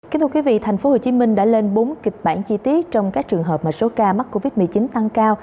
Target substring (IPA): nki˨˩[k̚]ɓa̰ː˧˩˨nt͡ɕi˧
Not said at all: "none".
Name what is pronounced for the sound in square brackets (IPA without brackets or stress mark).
k̚